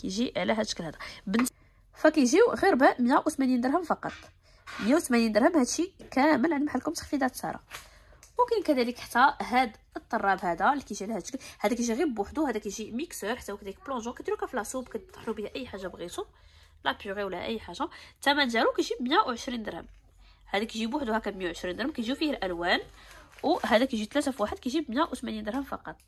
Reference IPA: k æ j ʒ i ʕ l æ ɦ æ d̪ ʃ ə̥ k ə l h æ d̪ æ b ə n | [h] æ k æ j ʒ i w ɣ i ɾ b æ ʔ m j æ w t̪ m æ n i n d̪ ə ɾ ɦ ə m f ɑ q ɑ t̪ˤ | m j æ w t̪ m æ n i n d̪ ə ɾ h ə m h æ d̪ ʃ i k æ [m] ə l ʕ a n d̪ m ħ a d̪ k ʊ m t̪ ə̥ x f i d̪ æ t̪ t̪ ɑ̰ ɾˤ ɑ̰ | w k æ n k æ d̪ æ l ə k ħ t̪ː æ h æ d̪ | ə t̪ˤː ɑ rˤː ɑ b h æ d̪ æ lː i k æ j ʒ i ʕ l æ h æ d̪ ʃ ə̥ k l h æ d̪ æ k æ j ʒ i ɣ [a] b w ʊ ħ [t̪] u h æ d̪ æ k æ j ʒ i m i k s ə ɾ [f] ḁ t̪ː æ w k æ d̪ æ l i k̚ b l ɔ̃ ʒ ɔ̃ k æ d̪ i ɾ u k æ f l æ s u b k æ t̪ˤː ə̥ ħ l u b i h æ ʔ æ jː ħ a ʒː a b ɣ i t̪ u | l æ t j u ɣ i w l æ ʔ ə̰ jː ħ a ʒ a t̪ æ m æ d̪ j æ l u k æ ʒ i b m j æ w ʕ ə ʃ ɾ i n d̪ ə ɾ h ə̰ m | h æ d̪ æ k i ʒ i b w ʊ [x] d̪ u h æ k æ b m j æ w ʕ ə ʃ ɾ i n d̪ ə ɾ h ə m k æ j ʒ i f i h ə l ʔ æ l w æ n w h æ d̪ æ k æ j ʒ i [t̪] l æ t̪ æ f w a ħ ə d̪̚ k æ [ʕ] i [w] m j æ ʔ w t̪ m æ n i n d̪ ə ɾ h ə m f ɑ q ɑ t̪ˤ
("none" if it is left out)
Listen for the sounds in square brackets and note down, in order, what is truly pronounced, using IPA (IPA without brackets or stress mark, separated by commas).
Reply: f, m, i, d̪, ħ, ħ, t̪, ʒ, b